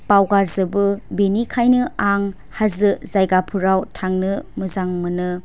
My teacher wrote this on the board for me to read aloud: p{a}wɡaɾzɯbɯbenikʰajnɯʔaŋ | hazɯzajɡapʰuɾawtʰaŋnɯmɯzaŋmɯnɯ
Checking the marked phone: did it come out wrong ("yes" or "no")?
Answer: no